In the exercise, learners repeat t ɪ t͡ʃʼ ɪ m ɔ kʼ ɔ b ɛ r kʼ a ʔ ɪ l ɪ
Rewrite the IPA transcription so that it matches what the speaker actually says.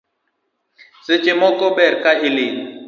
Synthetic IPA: s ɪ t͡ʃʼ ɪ m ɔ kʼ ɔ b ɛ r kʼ a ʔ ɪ l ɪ